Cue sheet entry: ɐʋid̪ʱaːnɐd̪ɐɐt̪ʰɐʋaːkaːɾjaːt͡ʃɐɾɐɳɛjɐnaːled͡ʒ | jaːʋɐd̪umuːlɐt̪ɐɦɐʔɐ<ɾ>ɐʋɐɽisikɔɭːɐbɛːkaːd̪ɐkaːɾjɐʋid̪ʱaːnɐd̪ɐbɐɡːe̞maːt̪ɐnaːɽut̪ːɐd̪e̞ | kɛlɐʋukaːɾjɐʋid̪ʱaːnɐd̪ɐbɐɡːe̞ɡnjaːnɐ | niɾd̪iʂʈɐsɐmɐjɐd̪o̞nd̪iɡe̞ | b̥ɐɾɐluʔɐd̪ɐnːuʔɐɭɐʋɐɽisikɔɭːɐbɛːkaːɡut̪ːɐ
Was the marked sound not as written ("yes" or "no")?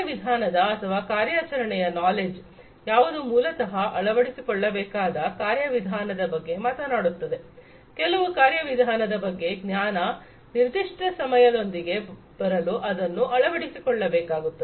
yes